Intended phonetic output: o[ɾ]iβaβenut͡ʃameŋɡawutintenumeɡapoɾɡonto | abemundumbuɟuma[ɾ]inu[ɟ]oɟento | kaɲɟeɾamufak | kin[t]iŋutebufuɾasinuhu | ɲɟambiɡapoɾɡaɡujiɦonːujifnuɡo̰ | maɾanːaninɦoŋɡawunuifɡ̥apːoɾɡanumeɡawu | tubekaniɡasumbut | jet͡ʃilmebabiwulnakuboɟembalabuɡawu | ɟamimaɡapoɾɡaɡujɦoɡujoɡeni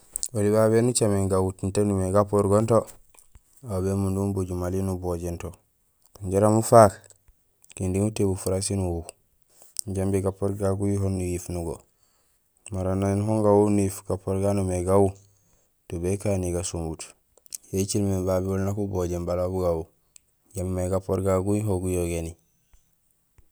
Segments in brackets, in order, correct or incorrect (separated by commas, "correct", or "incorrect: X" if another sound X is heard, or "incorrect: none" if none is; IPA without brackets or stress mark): incorrect: l, incorrect: l, incorrect: b, incorrect: d